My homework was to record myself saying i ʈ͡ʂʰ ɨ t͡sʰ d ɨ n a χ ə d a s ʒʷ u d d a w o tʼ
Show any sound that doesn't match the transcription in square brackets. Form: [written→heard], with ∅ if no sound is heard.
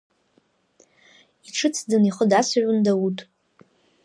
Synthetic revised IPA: i ʈ͡ʂʰ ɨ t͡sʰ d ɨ n [a→i] χ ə d a s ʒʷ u [d→n] d a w [o→u] tʼ